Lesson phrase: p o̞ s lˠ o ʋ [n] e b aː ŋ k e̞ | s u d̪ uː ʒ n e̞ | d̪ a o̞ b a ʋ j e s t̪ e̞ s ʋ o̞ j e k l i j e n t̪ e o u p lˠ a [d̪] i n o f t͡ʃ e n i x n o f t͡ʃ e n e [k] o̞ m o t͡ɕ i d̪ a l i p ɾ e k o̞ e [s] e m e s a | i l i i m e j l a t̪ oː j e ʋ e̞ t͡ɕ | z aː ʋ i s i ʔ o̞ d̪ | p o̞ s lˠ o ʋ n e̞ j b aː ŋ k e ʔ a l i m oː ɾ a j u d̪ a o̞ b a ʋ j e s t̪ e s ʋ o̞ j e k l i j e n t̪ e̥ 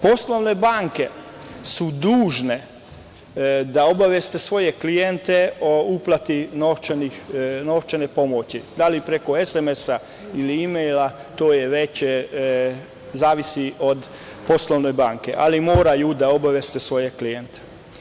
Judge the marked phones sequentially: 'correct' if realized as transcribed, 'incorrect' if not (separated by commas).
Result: correct, incorrect, incorrect, correct